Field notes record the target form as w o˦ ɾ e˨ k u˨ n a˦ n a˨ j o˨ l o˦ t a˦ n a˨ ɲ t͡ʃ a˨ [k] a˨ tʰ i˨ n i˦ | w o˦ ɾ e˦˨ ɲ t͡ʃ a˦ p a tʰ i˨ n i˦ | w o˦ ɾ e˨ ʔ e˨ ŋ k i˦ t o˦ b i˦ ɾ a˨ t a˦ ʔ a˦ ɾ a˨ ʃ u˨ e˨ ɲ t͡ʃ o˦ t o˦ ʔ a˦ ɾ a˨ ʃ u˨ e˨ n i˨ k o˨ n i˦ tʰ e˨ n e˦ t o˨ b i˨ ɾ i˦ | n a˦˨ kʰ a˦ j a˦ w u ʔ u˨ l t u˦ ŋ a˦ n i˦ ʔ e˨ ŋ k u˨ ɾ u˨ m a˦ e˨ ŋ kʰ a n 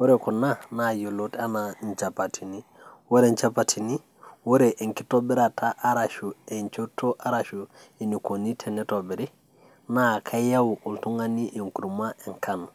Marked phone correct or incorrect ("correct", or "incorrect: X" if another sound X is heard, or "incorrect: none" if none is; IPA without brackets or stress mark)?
incorrect: p